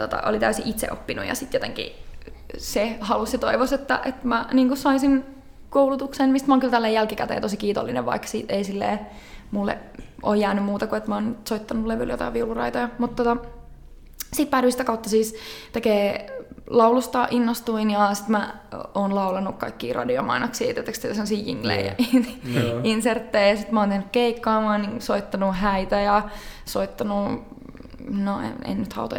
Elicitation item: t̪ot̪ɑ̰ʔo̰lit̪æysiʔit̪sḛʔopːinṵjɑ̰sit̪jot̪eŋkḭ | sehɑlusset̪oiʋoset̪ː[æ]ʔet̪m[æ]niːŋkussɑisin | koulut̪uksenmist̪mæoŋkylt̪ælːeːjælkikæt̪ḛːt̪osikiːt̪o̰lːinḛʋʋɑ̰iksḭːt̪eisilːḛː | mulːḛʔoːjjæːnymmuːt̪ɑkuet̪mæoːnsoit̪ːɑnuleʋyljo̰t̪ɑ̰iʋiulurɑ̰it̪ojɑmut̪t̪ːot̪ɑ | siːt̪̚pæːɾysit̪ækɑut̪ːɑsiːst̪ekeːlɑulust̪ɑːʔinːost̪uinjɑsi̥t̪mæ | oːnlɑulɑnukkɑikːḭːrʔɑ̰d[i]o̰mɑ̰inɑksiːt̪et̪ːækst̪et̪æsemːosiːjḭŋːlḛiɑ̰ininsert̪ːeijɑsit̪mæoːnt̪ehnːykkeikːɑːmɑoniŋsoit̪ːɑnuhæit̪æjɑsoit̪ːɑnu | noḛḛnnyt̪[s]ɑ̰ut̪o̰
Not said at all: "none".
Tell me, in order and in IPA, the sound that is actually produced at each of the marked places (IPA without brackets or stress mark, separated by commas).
æ, æ, i, h